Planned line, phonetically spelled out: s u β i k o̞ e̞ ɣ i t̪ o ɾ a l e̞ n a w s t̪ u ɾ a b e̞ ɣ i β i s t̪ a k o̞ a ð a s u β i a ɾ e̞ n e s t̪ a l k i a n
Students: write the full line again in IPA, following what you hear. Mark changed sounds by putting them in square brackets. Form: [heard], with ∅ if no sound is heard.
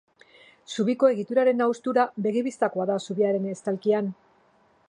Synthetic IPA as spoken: s u β i k o̞ e̞ ɣ i t̪ [u] ɾ a [ɾ] e̞ n a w s t̪ u ɾ a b e̞ ɣ i β i s t̪ a k o̞ a ð a s u β i a ɾ e̞ n e s t̪ a l k i a n